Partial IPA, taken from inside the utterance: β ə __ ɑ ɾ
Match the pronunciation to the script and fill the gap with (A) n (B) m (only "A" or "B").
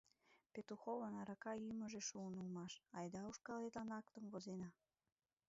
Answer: A